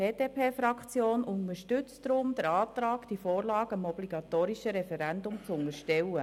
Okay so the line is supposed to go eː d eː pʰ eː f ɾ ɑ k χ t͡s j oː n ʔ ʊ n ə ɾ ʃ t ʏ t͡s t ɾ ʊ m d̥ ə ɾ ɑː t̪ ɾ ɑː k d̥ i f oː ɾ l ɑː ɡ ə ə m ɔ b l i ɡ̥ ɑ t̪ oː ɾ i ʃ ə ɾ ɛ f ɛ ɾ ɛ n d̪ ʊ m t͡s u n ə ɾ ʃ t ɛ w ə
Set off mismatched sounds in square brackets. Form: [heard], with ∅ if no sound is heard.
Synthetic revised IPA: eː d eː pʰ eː f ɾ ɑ k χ t͡s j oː n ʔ ʊ n ə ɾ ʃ t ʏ t͡s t ɾ ʊ m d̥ ə ɾ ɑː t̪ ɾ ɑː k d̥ i f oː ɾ l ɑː ɡ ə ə m ɔ b l i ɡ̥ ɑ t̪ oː ɾ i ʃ ə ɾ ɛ f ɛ ɾ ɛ n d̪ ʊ m t͡s [ʊ] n ə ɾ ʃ t ɛ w ə